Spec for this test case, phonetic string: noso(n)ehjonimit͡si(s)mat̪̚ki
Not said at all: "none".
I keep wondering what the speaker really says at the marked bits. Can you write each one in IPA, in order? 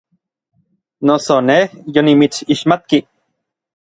n, ʃ

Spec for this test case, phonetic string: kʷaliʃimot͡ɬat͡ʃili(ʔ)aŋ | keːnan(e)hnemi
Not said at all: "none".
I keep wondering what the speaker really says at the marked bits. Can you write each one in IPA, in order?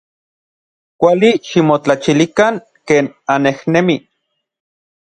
k, e

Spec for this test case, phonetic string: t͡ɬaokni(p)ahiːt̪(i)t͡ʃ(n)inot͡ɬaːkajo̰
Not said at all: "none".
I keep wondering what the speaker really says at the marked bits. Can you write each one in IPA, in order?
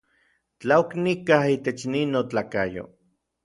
k, e, n

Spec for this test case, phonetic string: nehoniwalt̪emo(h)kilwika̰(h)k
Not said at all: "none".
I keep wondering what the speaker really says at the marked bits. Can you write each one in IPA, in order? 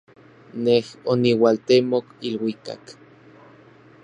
none, none

